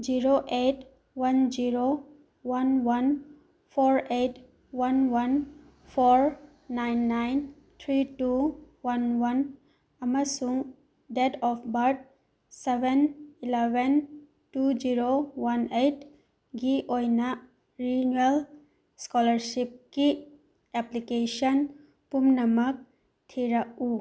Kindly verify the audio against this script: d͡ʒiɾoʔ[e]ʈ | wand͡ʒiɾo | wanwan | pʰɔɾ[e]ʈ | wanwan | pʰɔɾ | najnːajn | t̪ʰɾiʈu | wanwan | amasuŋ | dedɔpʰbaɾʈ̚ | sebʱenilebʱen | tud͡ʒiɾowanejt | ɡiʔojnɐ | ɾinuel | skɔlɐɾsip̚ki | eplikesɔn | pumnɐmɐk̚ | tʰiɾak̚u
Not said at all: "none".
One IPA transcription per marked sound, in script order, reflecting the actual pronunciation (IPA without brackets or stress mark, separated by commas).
e, e